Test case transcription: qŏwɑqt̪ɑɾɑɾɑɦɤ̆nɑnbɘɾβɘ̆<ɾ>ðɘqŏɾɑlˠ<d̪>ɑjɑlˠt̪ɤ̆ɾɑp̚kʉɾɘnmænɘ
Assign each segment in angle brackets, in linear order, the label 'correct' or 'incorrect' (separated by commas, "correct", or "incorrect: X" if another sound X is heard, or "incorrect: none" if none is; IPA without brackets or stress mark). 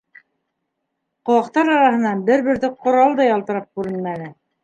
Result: correct, correct